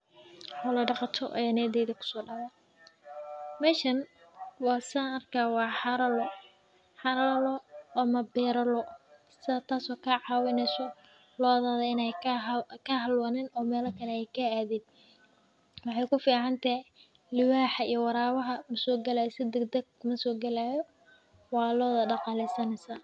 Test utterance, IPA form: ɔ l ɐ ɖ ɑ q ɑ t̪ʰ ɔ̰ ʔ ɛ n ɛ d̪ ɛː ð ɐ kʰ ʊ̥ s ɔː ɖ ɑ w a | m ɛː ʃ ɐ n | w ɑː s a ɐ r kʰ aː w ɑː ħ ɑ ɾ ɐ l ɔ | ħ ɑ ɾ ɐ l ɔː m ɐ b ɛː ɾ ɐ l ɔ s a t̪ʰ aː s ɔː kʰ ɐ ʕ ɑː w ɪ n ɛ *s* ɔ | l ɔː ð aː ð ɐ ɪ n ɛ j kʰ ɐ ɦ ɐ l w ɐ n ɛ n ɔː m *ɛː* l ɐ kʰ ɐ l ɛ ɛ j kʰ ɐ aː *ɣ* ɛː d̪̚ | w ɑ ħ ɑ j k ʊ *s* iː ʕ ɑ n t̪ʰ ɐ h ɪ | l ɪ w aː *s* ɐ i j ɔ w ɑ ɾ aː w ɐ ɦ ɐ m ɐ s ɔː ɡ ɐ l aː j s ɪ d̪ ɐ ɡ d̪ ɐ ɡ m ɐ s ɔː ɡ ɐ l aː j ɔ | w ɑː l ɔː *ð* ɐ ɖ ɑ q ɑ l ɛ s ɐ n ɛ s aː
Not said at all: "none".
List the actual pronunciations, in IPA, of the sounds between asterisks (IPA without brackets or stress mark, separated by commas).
s, ɛː, ð, f, ħ, ð